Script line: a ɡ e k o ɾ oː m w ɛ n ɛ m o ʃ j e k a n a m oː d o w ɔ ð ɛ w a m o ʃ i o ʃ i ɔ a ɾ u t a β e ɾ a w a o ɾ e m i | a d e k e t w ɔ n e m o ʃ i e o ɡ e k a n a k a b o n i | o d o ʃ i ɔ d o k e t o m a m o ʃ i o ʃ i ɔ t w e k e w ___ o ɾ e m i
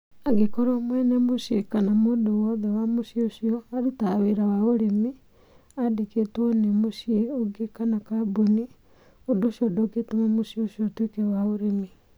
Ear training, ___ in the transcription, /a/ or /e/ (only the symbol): a